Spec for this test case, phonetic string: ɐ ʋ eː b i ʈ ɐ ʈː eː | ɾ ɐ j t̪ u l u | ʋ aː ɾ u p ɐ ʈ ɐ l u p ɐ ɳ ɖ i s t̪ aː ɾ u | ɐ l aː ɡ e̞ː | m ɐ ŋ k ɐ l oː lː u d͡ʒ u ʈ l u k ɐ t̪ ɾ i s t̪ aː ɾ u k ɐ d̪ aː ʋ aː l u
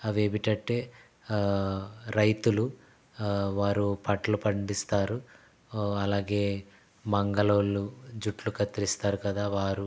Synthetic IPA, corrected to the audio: ɐ ʋ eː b i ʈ ɐ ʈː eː | ɾ ɐ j t̪ u l u | ʋ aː ɾ u p ɐ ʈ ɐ l u p ɐ ɳ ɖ i s t̪ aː ɾ u | ɐ l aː ɡ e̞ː | m ɐ ŋ ɡ ɐ l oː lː u d͡ʒ u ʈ l u k ɐ t̪ ɾ i s t̪ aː ɾ u k ɐ d̪ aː ʋ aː ɾ u